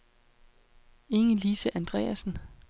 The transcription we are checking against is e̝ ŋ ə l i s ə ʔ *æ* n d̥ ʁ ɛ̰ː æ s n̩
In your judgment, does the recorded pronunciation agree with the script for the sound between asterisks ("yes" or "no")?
yes